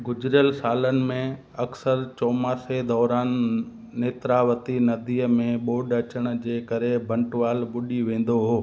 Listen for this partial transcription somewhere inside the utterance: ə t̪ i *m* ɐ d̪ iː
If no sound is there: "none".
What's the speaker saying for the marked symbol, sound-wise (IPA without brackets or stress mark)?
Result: n